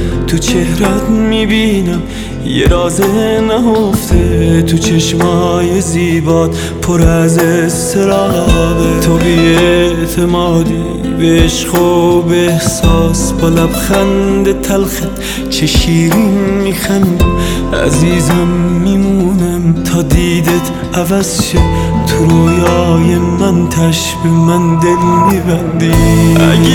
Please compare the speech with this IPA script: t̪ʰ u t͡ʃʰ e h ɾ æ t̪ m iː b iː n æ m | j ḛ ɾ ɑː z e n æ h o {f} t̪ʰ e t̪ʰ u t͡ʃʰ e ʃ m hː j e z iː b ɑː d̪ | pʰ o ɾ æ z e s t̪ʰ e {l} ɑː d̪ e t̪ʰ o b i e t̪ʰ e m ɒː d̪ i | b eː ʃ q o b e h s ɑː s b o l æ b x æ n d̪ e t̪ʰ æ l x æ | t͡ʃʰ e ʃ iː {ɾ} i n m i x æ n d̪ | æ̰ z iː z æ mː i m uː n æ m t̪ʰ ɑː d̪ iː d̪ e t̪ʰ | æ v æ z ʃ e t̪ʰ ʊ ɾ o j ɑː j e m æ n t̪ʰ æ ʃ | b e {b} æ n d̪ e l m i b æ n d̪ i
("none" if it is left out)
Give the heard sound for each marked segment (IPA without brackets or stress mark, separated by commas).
f, ɾ, ɾ, m